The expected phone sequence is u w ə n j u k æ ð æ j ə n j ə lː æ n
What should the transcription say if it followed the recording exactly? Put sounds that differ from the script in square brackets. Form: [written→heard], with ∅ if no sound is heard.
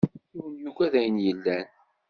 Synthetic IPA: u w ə n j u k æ ð æ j ə n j ə lː æ n

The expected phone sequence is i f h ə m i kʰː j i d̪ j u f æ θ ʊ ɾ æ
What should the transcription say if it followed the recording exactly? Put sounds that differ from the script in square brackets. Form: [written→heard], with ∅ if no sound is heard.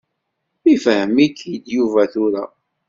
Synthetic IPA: i f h ə m i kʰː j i d̪ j u [f→v] æ θ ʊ ɾ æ

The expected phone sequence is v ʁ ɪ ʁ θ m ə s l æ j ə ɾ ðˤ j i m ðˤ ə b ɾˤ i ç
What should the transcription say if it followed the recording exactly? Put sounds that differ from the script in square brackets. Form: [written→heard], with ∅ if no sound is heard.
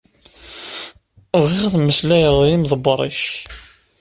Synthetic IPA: v ʁ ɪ ʁ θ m ə s l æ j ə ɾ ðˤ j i m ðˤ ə b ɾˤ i ç

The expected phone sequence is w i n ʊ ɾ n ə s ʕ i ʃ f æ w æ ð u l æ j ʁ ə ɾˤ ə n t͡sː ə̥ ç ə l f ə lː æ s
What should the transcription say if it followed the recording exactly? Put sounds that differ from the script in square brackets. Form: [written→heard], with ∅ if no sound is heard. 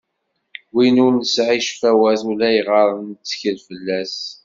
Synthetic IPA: w i n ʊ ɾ n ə s ʕ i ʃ f æ w æ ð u l æ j ʁ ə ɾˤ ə n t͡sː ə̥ ç ə l f ə lː æ s

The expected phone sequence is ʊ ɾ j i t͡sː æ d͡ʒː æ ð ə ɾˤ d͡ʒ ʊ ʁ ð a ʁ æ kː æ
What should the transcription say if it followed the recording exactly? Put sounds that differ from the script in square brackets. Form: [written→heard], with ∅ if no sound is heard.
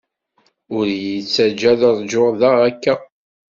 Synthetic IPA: ʊ ɾ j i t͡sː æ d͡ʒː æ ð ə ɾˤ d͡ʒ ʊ ʁ ð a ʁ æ kː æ

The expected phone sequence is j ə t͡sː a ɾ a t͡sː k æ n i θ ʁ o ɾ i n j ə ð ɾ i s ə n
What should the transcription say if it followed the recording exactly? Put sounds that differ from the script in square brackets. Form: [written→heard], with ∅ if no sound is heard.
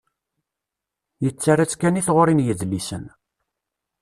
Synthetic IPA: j ə t͡sː a ɾ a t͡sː k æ n i θ ʁ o ɾ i n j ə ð [ɾ→l] i s ə n

